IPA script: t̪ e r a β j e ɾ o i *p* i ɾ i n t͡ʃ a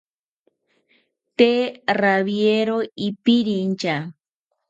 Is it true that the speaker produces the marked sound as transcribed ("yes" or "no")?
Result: yes